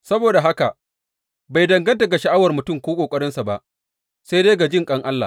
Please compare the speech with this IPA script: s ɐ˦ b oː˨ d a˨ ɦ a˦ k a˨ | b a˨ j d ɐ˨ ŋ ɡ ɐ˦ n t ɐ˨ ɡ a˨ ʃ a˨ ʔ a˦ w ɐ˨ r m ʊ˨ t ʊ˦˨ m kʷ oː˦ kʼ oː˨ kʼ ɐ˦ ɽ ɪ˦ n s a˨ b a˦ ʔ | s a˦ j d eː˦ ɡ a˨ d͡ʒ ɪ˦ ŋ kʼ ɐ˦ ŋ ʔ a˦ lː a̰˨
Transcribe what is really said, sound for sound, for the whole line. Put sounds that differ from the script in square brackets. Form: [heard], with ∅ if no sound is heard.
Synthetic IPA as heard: s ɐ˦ b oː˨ d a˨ ɦ a˦ k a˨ | b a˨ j d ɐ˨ ŋ ɡ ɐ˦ n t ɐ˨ ɡ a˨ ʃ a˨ ʔ a˦ w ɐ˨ r m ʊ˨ t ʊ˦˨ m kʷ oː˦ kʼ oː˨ kʼ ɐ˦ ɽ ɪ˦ n s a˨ b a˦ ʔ | s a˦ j d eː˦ ɡ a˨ d͡ʒ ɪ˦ ŋ kʼ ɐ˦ ŋ ʔ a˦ lː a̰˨